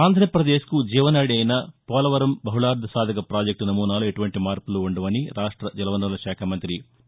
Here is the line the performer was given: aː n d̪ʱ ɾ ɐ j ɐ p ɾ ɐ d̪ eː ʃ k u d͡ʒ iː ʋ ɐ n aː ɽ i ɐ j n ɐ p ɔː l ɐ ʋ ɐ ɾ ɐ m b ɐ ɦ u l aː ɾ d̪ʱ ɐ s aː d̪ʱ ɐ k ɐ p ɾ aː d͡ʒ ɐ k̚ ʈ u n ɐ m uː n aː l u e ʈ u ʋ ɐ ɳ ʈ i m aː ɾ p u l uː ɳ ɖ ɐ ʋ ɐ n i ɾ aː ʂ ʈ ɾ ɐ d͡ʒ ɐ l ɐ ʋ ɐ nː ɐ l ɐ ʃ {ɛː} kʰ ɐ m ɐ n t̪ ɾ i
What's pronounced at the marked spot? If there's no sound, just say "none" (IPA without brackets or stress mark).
aː